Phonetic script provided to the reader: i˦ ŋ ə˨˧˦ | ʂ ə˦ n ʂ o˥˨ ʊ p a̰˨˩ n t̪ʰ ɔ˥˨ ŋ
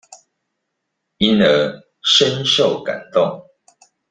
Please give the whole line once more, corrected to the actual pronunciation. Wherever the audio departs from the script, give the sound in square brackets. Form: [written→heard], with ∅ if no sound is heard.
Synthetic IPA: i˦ [ŋ→n] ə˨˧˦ | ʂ ə˦ n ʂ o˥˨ ʊ [p→k] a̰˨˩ n [t̪ʰ→t̪] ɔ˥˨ ŋ

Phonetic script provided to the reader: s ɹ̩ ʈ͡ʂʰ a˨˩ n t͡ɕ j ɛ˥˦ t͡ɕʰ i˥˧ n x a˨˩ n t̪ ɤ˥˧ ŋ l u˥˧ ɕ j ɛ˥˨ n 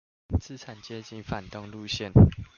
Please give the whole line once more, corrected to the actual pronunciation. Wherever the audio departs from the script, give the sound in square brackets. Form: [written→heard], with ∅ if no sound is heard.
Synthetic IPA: [s→t͡s] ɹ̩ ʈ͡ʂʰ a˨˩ n t͡ɕ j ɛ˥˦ [t͡ɕʰ→t͡ɕ] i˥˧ n [x→f] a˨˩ n t̪ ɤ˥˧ ŋ l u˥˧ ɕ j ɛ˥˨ n

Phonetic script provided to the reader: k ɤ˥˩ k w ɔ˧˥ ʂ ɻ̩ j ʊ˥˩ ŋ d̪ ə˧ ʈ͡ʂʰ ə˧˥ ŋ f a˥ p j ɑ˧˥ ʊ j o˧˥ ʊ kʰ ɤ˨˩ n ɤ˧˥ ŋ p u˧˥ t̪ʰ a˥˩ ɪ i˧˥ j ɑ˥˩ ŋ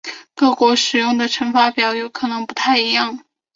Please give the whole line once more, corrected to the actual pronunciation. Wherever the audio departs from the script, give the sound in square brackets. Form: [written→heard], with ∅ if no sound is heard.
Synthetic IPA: k ɤ˥˩ k w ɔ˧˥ ʂ ɻ̩ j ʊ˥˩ ŋ d̪ [ə˧→ə˩] ʈ͡ʂʰ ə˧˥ ŋ f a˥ p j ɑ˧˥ ʊ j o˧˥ ʊ kʰ ɤ˨˩ n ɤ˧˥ ŋ p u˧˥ t̪ʰ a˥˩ ɪ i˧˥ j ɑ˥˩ ŋ

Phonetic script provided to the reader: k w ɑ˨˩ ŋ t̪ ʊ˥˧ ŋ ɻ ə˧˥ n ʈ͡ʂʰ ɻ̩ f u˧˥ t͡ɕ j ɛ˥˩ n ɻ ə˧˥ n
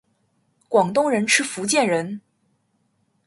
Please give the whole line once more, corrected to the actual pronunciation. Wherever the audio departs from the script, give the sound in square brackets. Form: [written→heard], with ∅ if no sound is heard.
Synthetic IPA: k w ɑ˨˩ ŋ t̪ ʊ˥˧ ŋ ɻ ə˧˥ n ʈ͡ʂʰ ɻ̩ f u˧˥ t͡ɕ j ɛ˥˩ n ɻ ə˧˥ n

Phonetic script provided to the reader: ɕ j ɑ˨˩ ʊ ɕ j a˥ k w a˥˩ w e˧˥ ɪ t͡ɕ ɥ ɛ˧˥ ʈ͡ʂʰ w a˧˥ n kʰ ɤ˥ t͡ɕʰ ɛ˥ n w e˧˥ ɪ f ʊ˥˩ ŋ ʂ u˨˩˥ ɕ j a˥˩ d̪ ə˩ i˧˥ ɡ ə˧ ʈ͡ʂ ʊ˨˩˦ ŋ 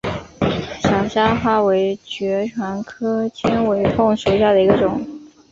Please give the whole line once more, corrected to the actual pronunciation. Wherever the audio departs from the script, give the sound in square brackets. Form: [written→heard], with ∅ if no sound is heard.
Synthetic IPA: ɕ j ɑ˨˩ ʊ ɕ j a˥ [k→x] w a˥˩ w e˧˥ ɪ t͡ɕ ɥ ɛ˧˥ ʈ͡ʂʰ w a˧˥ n kʰ ɤ˥ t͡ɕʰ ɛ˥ n w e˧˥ ɪ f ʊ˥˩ ŋ ʂ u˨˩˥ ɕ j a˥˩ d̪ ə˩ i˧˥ ɡ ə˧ ʈ͡ʂ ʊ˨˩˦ ŋ

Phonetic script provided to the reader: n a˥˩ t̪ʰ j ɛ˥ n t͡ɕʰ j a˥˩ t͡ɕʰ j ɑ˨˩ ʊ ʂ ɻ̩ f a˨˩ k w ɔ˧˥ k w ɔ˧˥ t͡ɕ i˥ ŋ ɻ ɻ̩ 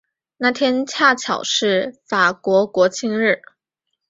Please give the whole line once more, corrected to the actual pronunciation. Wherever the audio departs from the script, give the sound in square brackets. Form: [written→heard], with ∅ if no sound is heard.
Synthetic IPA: n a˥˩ t̪ʰ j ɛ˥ n t͡ɕʰ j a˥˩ t͡ɕʰ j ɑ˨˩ ʊ ʂ ɻ̩ f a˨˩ k w ɔ˧˥ k w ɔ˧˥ [t͡ɕ→t͡ɕʰ] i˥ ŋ ɻ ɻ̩

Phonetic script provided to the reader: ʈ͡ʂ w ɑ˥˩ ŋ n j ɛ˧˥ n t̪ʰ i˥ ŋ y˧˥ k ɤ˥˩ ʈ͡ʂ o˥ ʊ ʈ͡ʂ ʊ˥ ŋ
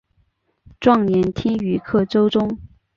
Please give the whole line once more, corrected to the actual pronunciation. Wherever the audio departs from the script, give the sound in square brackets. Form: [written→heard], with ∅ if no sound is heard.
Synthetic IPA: ʈ͡ʂ w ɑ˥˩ ŋ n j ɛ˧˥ n t̪ʰ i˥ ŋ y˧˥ [k→kʰ] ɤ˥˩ ʈ͡ʂ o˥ ʊ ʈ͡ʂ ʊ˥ ŋ

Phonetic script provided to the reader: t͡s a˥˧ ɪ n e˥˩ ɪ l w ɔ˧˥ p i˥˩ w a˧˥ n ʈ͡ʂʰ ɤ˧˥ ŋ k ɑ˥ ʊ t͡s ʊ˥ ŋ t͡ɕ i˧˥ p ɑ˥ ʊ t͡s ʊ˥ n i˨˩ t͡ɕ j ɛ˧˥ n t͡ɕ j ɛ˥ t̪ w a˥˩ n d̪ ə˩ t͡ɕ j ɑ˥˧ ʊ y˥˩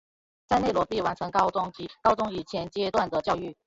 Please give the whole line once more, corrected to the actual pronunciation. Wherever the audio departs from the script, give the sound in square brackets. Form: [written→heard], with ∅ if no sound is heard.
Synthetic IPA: t͡s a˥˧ ɪ n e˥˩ ɪ l w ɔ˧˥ p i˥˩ w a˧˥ n ʈ͡ʂʰ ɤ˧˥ ŋ k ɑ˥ ʊ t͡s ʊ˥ ŋ t͡ɕ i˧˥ [p→k] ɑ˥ ʊ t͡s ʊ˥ [n→ŋ] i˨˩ [t͡ɕ→t͡ɕʰ] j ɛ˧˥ n t͡ɕ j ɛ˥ t̪ w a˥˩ n d̪ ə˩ t͡ɕ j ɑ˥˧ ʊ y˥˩

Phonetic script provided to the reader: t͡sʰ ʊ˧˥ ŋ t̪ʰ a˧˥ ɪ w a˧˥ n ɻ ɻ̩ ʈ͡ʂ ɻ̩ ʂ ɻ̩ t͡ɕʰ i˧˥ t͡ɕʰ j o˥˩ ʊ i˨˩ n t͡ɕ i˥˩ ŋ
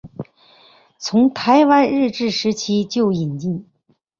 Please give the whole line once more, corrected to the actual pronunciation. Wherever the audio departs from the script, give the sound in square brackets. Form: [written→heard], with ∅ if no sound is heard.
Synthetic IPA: t͡sʰ ʊ˧˥ ŋ t̪ʰ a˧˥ ɪ w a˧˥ n ɻ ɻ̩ ʈ͡ʂ ɻ̩ ʂ ɻ̩ t͡ɕʰ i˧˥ [t͡ɕʰ→t͡ɕ] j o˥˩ ʊ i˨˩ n t͡ɕ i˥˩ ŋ

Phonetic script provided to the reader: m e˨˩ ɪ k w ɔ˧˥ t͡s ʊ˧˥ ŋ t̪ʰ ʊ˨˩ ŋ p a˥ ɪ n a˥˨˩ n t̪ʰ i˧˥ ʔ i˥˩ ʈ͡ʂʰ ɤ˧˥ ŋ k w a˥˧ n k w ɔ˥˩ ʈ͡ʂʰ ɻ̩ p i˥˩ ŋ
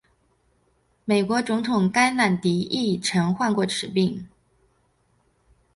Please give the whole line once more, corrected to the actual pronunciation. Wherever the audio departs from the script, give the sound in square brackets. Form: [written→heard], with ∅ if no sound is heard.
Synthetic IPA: m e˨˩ ɪ k w ɔ˧˥ t͡s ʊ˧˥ ŋ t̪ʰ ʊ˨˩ ŋ [p→k] a˥ ɪ n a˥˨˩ n [t̪ʰ→t̪] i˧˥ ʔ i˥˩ ʈ͡ʂʰ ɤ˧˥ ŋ [k→x] w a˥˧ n k w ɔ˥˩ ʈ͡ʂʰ ɻ̩ p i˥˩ ŋ

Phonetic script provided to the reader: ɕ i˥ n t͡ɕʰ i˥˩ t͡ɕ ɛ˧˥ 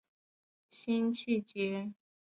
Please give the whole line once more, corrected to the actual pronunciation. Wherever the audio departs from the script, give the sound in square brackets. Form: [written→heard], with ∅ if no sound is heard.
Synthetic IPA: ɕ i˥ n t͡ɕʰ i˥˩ t͡ɕ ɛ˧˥

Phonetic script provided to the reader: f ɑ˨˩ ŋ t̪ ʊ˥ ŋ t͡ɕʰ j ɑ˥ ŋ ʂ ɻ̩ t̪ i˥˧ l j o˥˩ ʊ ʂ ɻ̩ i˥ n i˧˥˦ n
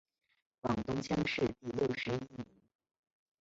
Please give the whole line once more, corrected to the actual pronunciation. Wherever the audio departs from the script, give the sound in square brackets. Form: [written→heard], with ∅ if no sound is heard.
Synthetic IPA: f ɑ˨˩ ŋ t̪ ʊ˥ ŋ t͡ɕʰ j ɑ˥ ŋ ʂ ɻ̩ t̪ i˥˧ l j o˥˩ ʊ ʂ ɻ̩ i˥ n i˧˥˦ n

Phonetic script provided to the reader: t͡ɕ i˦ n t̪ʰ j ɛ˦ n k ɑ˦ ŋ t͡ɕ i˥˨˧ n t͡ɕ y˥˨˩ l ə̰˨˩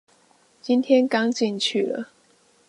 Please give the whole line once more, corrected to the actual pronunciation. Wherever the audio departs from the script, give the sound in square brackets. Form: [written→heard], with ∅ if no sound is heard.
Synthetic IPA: t͡ɕ i˦ n t̪ʰ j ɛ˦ n k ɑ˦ ŋ t͡ɕ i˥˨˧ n [t͡ɕ→t͡ɕʰ] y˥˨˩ l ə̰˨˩

